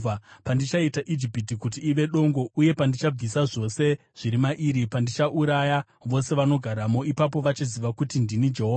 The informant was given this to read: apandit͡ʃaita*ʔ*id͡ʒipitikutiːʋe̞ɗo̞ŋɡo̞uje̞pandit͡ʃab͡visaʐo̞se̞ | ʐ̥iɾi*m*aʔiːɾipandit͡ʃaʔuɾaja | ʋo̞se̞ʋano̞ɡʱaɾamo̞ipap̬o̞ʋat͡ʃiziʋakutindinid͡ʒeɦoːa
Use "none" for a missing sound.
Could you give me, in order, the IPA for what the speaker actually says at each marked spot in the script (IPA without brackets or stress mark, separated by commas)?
ʔ, m